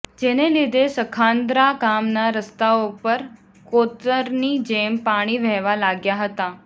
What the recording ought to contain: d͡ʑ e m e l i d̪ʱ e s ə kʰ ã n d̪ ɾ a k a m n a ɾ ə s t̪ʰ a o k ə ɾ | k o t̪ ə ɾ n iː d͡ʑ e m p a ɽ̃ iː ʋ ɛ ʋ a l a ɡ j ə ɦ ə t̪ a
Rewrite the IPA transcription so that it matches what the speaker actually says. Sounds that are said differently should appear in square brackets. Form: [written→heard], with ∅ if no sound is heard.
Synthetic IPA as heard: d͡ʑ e [m→n] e l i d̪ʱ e s ə kʰ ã n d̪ ɾ a k a m n a ɾ ə s [t̪ʰ→t̪] a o [k→p] ə ɾ | k o t̪ ə ɾ n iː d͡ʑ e m p a ɽ̃ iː ʋ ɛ ʋ a l a ɡ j [ə→a] ɦ ə t̪ a